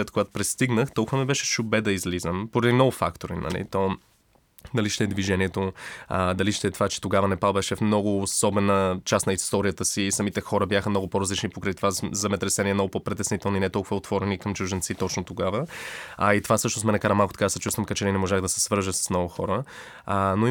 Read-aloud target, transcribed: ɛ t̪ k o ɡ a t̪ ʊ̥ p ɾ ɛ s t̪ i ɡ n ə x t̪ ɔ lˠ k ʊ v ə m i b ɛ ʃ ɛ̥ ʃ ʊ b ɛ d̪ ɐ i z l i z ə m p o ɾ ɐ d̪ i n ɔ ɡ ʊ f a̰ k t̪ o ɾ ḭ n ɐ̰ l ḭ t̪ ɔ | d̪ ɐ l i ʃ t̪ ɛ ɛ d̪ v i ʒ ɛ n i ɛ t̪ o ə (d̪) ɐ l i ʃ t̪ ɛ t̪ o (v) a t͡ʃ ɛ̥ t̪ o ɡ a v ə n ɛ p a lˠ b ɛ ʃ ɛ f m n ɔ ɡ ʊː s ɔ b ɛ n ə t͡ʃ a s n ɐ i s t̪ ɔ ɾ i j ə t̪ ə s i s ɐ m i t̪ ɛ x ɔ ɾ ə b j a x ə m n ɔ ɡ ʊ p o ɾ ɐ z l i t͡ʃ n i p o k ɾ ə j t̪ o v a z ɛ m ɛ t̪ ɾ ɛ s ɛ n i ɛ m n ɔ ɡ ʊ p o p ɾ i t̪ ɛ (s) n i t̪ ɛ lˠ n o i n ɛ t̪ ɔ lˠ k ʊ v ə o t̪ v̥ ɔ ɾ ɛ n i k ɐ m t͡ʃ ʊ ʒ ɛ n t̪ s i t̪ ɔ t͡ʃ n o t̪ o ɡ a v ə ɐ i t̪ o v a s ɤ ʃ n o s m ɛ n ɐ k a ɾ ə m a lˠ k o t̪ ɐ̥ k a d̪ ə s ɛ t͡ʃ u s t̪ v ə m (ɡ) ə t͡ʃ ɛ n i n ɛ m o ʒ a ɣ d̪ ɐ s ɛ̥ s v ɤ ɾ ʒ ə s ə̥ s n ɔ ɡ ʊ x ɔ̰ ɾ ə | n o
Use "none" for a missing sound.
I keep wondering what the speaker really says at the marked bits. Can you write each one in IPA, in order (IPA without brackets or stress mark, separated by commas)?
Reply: d̪, v, s, k